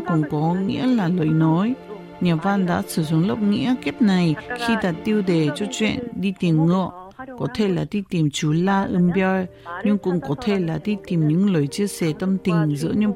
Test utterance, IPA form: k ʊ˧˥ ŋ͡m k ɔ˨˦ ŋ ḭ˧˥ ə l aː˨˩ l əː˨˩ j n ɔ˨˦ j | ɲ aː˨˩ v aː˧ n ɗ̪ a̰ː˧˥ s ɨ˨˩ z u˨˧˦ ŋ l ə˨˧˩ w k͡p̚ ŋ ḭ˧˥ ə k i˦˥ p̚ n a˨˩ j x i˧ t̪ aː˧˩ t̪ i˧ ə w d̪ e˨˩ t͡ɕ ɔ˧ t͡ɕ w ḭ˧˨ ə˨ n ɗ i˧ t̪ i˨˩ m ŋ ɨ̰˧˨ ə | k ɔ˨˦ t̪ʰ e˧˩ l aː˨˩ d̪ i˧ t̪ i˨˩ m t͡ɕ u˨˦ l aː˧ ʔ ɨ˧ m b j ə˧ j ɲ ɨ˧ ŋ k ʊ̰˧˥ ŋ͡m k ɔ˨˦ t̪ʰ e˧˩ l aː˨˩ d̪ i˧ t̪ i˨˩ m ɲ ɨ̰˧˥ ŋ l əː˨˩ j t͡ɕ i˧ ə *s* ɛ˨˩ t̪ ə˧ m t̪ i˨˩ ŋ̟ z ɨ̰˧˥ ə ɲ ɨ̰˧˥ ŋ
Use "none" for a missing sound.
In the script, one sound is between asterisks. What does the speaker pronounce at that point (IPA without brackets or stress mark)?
s